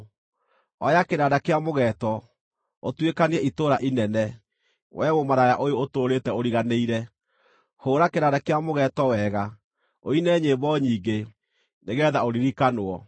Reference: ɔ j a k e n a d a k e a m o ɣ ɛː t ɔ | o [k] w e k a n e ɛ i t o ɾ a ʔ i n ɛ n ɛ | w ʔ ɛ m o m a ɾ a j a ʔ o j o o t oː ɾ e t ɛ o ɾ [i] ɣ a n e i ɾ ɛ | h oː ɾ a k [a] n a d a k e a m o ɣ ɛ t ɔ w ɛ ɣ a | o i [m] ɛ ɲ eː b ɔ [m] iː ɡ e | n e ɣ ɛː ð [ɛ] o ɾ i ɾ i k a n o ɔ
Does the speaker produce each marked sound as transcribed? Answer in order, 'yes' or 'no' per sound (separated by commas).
no, yes, no, no, no, no